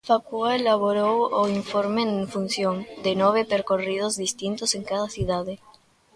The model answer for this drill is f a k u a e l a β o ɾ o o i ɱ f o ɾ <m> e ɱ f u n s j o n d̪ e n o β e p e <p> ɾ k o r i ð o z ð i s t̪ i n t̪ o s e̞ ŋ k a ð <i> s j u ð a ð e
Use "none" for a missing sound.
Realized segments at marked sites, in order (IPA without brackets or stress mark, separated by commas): m, none, a